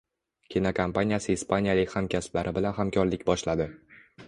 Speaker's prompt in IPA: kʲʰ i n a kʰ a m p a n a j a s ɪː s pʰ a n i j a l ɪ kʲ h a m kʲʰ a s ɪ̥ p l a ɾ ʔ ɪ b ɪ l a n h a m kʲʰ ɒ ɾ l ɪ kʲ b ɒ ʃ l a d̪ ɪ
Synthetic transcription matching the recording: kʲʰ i n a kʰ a m p a n i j a s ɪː s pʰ a n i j a l ɪ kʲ h a m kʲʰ a s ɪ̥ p l a ɾ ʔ ɪ b ɪ l a n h a m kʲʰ ɒ ɾ l ɪ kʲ b ɒ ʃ l a d̪ ɪ